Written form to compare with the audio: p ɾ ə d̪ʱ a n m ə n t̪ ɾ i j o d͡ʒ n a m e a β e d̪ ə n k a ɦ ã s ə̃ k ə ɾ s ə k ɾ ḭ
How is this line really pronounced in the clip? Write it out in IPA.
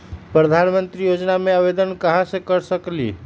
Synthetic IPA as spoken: p ɾ ə d̪ʱ a n m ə n t̪ ɾ i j o d͡ʒ n a m e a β e d̪ ə n k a ɦ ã s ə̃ k ə ɾ s ə k l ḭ